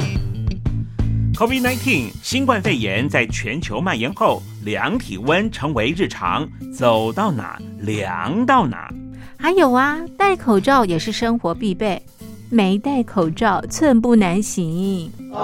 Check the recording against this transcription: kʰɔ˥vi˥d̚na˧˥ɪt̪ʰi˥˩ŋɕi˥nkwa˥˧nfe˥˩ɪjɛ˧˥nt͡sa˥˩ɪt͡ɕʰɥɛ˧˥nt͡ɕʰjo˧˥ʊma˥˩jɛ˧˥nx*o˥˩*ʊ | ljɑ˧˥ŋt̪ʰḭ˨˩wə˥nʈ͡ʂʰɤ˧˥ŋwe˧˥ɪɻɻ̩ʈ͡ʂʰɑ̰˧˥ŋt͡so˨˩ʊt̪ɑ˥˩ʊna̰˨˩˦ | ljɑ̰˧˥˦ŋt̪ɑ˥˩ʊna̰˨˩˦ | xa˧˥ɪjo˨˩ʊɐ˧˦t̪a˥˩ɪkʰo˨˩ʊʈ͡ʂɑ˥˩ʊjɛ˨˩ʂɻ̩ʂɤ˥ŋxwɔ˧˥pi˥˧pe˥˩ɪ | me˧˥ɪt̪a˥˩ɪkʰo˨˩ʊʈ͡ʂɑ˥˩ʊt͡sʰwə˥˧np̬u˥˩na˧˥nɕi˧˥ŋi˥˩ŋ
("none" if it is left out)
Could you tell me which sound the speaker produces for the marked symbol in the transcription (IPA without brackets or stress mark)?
o˥˩